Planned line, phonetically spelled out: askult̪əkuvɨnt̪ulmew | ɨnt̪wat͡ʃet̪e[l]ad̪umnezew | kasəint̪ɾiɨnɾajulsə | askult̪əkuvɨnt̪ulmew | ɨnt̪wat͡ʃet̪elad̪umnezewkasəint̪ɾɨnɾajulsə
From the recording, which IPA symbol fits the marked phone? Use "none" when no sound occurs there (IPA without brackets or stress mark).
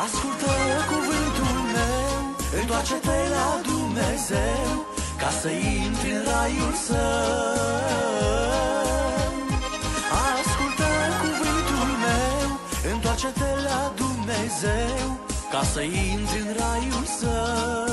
l